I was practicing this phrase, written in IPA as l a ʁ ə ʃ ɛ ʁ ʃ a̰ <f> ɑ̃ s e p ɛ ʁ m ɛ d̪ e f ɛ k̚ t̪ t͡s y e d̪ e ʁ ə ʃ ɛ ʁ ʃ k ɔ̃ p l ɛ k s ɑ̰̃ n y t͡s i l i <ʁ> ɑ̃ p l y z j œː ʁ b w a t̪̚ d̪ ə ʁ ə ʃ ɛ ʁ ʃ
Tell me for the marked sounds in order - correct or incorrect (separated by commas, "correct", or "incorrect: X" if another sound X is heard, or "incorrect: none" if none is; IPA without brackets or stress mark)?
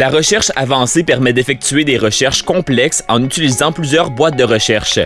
incorrect: v, incorrect: z